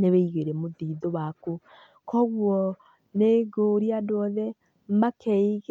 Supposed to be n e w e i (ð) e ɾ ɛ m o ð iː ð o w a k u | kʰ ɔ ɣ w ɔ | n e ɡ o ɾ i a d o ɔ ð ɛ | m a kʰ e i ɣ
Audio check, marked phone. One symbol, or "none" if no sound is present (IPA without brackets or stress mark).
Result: ɣ